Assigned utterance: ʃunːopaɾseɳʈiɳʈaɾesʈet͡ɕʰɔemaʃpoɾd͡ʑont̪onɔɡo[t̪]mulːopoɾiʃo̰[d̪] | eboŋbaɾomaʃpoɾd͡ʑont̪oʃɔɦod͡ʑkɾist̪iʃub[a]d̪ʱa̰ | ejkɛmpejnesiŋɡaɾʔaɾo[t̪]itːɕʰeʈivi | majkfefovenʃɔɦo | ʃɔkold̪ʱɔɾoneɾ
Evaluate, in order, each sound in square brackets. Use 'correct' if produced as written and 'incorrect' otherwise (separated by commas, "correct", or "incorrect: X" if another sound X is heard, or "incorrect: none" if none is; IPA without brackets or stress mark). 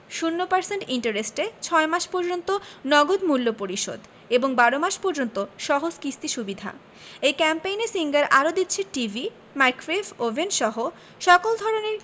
incorrect: d̪, correct, incorrect: i, incorrect: d̪